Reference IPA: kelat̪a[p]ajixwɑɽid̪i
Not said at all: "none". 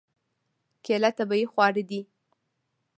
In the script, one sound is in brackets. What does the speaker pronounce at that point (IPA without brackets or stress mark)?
b